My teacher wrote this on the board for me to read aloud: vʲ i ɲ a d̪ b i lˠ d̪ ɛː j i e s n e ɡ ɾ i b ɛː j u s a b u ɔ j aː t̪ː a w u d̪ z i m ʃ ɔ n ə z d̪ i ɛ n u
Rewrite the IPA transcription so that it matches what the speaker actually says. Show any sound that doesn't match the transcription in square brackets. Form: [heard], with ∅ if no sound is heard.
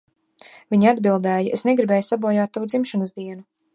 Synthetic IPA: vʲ i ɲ a d̪ b i lˠ d̪ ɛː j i e s n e ɡ ɾ i b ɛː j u s a b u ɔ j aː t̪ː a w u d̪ z i m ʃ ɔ n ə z d̪ i ɛ n u